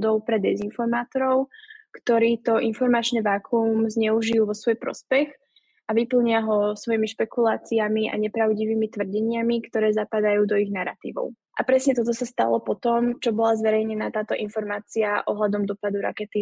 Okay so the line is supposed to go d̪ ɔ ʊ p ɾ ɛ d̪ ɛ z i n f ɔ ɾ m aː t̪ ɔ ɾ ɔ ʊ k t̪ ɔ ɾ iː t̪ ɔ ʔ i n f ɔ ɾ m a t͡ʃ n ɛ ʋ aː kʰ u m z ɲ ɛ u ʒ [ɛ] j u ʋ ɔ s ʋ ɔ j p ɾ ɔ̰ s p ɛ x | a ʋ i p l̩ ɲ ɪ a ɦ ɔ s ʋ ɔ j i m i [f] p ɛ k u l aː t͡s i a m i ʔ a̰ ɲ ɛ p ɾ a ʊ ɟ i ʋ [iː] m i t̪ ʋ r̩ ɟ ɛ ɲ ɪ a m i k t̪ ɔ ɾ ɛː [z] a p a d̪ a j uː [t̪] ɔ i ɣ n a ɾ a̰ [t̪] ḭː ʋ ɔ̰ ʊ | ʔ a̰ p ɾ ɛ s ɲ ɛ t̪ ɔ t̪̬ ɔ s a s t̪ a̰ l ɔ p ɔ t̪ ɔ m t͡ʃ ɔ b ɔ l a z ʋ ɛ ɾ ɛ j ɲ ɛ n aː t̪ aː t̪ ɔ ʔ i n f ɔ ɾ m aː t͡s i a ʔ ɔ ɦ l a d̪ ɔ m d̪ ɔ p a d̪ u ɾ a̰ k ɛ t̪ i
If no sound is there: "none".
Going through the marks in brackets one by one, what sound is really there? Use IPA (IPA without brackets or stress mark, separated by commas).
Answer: i, ʃ, iː, z, d̪, t̪